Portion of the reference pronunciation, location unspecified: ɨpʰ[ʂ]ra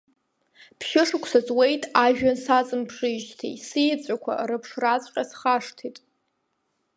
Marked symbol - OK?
yes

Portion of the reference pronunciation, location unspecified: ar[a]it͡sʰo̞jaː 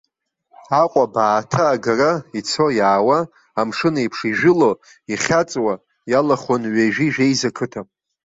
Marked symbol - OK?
yes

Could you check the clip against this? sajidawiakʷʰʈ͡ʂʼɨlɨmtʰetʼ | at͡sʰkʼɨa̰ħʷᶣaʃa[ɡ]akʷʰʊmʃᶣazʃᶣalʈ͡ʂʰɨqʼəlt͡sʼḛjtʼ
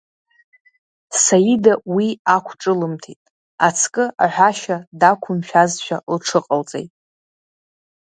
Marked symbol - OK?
no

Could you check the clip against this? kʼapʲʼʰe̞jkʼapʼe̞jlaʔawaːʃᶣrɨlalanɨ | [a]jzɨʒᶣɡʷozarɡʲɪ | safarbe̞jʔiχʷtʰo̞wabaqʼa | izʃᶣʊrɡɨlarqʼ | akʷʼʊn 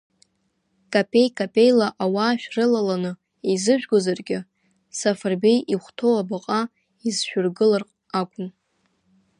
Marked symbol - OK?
no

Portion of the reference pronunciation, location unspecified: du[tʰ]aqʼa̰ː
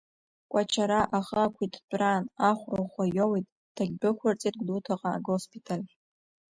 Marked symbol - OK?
yes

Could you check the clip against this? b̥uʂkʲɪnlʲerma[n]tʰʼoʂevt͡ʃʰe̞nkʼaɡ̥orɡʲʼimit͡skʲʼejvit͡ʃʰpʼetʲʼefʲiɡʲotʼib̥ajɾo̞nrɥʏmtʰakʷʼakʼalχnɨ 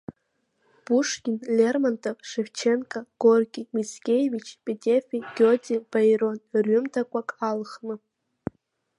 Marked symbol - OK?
yes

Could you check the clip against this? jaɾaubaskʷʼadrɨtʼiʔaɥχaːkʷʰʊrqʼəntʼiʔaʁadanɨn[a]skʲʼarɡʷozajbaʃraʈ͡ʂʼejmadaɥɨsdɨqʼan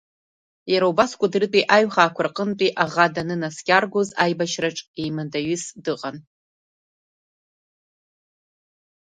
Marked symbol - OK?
yes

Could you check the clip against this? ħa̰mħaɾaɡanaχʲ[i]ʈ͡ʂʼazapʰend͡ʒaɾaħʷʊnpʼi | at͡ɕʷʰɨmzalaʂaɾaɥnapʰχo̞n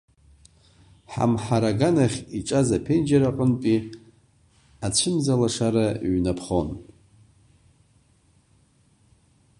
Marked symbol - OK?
yes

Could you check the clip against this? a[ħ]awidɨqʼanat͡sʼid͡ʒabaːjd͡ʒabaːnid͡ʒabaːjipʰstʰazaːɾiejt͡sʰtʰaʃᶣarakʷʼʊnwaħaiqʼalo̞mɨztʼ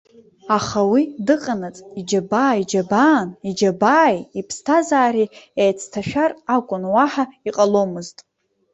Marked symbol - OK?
no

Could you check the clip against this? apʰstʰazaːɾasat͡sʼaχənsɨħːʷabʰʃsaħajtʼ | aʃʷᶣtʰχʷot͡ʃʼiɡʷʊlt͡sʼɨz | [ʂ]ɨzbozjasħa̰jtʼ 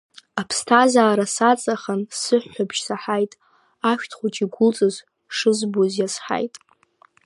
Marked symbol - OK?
yes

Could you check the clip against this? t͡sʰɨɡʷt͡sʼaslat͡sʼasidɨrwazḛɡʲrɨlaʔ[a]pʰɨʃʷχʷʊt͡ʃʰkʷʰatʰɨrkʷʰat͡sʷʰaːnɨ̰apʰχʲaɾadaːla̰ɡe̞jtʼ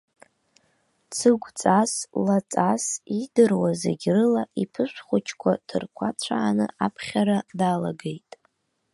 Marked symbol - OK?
no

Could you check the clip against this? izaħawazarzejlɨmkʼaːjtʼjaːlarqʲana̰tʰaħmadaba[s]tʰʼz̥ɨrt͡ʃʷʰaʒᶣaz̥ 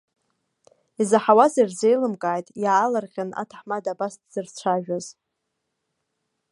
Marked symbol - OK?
yes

